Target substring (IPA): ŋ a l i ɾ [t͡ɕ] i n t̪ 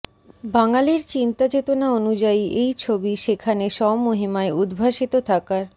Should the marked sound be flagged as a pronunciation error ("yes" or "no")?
no